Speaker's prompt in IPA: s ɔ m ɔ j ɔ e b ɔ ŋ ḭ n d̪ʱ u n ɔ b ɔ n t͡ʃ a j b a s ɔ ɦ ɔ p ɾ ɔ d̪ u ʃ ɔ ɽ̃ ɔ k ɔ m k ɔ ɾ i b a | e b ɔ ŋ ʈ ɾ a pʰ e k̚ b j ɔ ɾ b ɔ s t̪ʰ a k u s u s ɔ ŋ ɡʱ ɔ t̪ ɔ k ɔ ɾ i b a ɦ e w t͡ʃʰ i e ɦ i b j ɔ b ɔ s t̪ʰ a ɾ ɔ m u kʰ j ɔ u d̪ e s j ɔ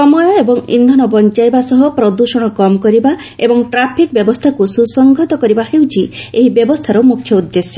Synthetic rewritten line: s ɔ m ɔ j ɔ e b ɔ ŋ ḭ n d̪ʱ ɔ n ɔ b ɔ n t͡ʃ a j b a s ɔ ɦ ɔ p ɾ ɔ d̪ u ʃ ɔ ɽ̃ ɔ k ɔ m k ɔ ɾ i b a | e b ɔ ŋ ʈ ɾ a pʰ i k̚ b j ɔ b ɔ s t̪ʰ a k u s u s ɔ ŋ ɡʱ ɔ t̪ ɔ k ɔ ɾ i b a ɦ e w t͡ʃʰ i e ɦ i b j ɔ b ɔ s t̪ʰ a ɾ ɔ m u kʰ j ɔ u d̪ː e s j ɔ

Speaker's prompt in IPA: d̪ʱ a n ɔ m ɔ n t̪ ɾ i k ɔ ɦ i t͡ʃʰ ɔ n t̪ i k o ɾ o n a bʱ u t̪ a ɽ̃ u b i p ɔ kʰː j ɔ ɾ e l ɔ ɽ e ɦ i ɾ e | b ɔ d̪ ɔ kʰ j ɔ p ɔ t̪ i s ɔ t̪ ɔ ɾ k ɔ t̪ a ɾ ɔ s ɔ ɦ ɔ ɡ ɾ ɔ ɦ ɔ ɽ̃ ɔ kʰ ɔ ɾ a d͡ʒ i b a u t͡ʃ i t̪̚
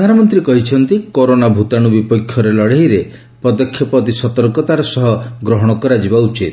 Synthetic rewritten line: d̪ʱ a n ɔ m ɔ n t̪ ɾ i k ɔ ɦ i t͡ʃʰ ɔ n t̪ i k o ɾ o n a bʱ u t̪ a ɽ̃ u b i p ɔ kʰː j ɔ ɾ e l ɔ ɽ e ɦ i ɾ e | p ɔ d̪ ɔ kʰ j ɔ p ɔ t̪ i s ɔ t̪ ɔ ɾ k ɔ t̪ a ɾ ɔ s ɔ ɦ ɔ ɡ ɾ ɔ ɦ ɔ ɽ̃ ɔ k ɔ ɾ a d͡ʒ i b a u t͡ʃ i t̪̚

